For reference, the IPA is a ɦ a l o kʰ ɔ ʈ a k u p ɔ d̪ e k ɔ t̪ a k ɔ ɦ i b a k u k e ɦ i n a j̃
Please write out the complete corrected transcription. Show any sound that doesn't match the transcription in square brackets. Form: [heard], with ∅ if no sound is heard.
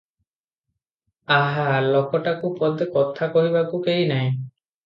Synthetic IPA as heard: a ɦ a l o [k] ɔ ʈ a k u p ɔ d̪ e k ɔ [t̪ʰ] a k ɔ ɦ i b a k u k e ɦ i n a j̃